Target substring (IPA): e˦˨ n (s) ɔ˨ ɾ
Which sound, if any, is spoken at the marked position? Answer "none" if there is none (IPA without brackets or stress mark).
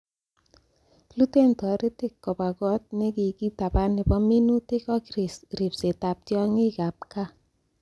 t